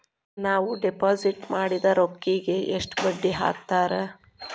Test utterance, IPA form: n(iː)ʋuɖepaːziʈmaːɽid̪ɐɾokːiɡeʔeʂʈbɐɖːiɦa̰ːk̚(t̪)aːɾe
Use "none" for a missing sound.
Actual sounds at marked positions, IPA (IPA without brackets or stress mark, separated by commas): aː, t̪